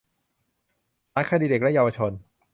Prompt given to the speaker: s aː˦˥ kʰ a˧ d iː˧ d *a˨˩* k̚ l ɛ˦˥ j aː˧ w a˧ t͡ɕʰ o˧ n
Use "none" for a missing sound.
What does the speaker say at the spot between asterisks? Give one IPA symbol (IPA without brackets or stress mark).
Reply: e˨˩